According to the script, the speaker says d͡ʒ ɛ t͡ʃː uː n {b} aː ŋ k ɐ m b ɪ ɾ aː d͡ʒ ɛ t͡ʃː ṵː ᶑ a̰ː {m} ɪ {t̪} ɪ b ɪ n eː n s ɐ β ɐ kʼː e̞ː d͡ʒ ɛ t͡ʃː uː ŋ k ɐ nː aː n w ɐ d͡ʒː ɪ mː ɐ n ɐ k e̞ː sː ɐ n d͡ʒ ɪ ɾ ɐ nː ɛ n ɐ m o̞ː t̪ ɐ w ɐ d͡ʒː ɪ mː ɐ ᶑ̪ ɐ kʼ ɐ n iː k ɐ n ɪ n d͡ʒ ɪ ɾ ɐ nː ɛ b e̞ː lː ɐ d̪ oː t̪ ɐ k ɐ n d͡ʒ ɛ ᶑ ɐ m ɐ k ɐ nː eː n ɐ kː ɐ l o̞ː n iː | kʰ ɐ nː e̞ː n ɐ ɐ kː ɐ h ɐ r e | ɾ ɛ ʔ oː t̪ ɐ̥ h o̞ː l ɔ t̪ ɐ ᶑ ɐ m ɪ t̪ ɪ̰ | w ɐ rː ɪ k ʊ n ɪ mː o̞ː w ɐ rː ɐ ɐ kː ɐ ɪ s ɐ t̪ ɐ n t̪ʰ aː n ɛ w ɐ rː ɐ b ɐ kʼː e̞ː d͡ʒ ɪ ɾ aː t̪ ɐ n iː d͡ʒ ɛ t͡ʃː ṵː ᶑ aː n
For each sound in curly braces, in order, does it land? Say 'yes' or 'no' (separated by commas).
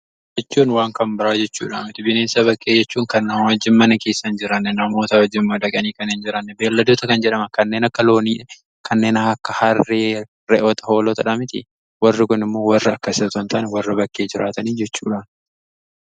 no, yes, yes